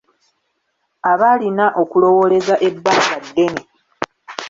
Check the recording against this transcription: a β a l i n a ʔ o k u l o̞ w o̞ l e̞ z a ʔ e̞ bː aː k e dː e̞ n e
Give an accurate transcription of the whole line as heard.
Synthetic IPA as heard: a β a l i n a ʔ o k u l o̞ w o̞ l e̞ z a ʔ e̞ bː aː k a dː e̞ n e